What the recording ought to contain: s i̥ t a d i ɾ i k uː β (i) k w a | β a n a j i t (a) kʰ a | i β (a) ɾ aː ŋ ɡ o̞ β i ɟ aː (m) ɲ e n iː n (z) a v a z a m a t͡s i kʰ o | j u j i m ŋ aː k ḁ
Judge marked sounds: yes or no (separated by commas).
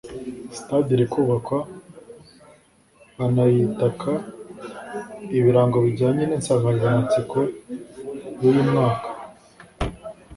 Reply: no, yes, no, no, no